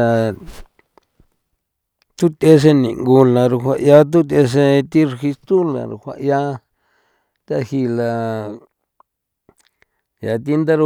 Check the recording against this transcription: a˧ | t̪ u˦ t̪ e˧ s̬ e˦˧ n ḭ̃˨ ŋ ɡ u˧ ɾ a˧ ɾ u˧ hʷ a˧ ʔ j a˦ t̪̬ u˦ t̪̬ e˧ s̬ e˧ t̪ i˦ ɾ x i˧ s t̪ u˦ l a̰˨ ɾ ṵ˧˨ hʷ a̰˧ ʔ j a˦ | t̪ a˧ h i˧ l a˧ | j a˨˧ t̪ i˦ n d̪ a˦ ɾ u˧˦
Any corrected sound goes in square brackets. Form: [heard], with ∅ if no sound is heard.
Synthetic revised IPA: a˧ | t̪ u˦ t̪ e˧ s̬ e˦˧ n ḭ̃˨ ŋ ɡ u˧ [l] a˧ ɾ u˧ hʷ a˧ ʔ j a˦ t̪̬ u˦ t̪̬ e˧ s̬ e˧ t̪ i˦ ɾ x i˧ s t̪ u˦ l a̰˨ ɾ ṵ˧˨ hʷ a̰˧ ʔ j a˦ | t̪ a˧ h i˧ l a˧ | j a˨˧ t̪ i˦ n d̪ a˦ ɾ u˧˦